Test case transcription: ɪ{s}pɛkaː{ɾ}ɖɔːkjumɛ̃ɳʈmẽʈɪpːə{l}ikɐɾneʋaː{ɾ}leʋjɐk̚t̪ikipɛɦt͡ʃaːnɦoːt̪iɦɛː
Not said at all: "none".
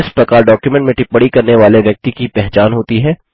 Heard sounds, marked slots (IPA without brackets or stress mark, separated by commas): s, l, ɽ, none